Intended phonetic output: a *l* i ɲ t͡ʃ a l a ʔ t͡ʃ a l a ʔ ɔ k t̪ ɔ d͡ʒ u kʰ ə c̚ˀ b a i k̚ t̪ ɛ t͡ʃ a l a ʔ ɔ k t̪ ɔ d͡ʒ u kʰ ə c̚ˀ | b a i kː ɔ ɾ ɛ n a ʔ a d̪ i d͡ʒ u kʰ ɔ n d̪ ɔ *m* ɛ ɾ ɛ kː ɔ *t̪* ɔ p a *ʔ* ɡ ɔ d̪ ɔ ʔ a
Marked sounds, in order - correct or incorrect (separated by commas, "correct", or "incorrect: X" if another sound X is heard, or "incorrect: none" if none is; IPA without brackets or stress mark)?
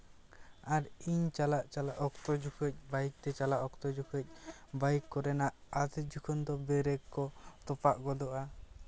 incorrect: ɾ, incorrect: b, correct, correct